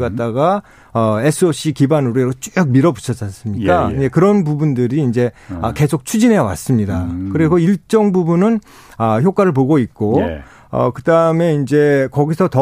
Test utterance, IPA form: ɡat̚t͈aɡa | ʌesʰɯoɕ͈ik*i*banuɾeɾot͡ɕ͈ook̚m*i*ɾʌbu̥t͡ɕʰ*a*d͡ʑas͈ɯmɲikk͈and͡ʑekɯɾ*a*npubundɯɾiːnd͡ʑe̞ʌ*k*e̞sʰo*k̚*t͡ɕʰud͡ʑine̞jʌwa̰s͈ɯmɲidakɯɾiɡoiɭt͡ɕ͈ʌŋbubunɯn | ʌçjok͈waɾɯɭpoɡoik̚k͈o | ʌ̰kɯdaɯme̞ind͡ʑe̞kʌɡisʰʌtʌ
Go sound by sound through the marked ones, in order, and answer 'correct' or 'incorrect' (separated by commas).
correct, correct, incorrect, incorrect, correct, correct